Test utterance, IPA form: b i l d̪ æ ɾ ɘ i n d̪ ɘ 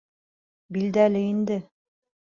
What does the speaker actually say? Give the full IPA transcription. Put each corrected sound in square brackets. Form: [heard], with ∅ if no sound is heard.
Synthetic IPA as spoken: b i l d̪ æ [l] ɘ i n d̪ ɘ